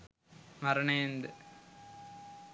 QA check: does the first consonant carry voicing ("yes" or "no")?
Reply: yes